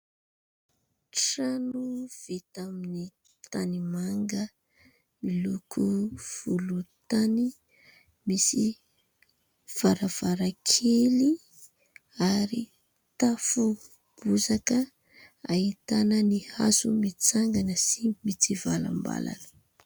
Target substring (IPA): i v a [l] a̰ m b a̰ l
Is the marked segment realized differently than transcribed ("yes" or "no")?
no